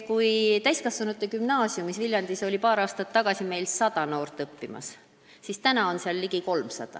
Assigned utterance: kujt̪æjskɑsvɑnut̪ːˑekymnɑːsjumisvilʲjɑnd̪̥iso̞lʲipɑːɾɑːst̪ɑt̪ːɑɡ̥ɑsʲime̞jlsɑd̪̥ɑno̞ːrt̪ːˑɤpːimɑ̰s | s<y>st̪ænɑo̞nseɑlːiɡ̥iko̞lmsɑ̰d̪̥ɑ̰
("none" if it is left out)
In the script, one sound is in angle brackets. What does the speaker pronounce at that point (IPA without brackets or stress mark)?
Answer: i